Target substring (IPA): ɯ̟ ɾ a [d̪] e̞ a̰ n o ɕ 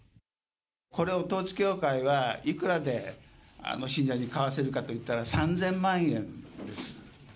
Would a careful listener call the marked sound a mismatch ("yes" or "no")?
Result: no